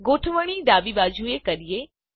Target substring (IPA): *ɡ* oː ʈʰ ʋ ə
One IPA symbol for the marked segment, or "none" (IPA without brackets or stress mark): ɡ